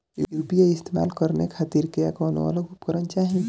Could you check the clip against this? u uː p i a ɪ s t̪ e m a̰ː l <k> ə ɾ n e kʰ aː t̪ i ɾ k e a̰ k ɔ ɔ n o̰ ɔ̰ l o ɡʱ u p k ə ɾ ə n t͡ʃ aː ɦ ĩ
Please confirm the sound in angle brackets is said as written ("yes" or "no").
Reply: yes